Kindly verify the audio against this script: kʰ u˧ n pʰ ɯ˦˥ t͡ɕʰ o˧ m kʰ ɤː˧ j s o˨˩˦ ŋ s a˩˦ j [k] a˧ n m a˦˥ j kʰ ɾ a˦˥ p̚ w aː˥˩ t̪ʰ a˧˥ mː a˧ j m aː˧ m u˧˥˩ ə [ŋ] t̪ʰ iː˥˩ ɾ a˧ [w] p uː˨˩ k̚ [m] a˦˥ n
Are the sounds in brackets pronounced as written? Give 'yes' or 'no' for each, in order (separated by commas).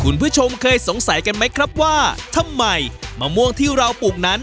yes, yes, yes, no